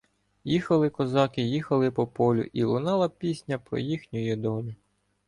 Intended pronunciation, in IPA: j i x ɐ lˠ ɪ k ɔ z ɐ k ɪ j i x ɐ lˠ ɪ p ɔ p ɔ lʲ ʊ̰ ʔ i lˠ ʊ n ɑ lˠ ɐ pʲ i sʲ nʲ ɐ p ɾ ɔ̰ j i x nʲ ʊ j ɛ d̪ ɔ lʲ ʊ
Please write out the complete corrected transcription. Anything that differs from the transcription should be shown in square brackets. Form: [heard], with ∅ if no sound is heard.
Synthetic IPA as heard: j i x ɐ lˠ ɪ k ɔ z [ɑ] k ɪ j i x ɐ lˠ ɪ p ɔ p ɔ lʲ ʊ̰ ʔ i lˠ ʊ n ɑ lˠ ɐ pʲ i sʲ nʲ ɐ p ɾ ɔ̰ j i x nʲ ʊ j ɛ d̪ ɔ lʲ ʊ